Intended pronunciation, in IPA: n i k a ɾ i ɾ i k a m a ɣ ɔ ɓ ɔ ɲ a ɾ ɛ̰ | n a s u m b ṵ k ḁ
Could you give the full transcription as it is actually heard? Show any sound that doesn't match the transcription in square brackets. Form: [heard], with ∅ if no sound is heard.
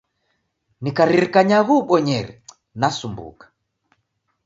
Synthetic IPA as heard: n i k a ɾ i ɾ i k a [ɲ] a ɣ [u] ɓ ɔ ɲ [ɛ] ɾ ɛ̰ | n a s u m b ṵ k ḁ